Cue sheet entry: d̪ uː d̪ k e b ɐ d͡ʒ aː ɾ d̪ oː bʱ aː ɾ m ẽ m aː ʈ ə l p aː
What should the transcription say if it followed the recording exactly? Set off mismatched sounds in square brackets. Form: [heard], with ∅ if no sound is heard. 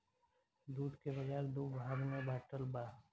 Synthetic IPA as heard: d̪ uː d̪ k e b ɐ d͡ʒ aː ɾ d̪ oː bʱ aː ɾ m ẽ [b] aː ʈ ə l [b] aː